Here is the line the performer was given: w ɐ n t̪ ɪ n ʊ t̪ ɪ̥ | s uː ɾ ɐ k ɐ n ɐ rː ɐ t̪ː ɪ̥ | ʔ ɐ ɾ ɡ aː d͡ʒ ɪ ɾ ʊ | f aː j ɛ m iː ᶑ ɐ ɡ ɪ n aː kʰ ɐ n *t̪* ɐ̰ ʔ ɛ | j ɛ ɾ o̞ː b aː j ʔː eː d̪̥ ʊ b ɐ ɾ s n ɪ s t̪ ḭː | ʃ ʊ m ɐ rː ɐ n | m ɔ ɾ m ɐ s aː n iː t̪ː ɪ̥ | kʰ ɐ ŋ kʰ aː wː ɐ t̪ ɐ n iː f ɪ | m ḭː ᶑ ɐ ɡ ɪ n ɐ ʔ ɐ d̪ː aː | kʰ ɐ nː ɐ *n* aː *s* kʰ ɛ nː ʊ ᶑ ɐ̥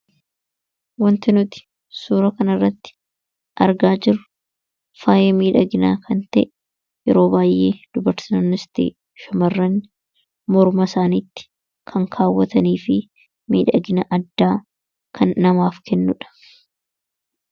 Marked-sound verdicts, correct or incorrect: correct, incorrect: m, incorrect: f

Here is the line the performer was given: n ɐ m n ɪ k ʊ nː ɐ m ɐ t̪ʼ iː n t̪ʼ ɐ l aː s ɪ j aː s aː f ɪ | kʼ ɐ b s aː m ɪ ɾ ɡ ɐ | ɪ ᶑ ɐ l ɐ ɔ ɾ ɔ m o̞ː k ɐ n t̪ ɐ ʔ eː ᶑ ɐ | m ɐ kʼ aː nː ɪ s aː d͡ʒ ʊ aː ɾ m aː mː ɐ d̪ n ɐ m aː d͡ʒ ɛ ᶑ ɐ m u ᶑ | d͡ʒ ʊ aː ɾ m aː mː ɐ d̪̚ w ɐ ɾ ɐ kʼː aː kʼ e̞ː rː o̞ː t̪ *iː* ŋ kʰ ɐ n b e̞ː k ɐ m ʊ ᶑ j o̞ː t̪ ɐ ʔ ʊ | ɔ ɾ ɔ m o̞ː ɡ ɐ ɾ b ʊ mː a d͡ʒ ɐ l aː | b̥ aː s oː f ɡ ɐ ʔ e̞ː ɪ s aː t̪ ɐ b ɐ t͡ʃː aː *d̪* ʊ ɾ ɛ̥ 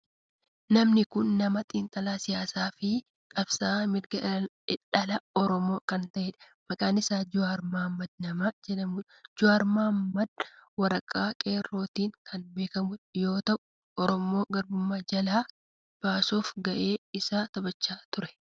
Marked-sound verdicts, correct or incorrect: correct, incorrect: t̪

